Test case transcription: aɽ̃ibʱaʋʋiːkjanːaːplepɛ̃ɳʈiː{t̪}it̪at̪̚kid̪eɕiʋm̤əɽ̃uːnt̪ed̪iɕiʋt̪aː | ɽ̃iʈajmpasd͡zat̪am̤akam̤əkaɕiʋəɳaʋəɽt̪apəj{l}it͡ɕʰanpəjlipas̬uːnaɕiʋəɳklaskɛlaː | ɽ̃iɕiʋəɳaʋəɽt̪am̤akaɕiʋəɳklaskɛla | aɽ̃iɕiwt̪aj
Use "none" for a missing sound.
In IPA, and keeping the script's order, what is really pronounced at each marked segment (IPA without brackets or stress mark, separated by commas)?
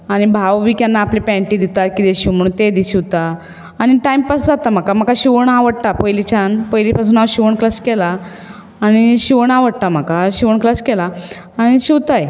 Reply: d̪, l